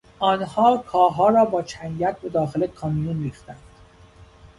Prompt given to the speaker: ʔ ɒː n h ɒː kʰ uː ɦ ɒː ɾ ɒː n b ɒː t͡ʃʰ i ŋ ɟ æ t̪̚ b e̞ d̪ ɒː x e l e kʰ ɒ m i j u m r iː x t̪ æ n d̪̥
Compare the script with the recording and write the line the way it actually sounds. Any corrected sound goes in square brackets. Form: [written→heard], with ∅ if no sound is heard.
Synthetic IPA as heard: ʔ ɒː n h ɒː kʰ [uː→ɒː] ɦ ɒː ɾ ɒː [n→∅] b ɒː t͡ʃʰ [i→æ] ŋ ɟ æ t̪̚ b e̞ d̪ ɒː x e l e kʰ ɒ m i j u [m→n] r iː x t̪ æ n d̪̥